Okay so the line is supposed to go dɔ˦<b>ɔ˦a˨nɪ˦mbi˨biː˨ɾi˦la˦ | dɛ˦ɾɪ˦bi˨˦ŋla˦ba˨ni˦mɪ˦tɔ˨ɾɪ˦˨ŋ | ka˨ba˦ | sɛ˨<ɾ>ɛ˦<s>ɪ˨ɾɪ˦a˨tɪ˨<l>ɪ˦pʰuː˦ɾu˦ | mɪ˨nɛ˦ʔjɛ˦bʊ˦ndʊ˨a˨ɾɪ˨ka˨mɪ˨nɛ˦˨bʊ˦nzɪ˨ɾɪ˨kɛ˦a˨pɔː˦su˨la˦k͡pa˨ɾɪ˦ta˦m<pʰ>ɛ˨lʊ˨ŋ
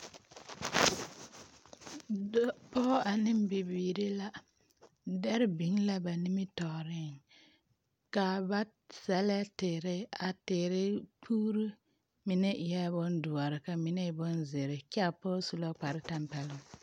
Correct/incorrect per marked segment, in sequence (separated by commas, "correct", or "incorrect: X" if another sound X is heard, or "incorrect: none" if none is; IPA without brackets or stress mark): incorrect: p, incorrect: l, incorrect: t, incorrect: ɾ, incorrect: p